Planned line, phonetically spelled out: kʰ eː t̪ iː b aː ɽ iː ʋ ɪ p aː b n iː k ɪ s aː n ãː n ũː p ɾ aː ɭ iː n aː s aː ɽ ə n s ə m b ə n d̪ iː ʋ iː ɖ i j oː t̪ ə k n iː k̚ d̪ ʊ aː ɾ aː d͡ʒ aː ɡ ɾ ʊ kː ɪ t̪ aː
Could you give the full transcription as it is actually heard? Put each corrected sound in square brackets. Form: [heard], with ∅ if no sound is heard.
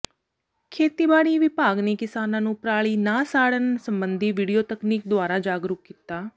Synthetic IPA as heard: kʰ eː t̪ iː b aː ɽ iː ʋ ɪ p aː [ɡ] n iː k ɪ s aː n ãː n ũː p ɾ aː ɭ iː n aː s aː ɽ ə n s ə m b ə n d̪ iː ʋ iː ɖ i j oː t̪ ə k n iː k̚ d̪ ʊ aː ɾ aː d͡ʒ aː ɡ ɾ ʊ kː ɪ t̪ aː